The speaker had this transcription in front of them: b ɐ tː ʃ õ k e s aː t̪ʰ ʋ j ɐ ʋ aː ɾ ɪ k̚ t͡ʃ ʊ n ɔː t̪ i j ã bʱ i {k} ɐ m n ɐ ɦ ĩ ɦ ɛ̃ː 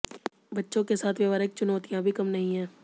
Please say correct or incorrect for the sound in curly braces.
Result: correct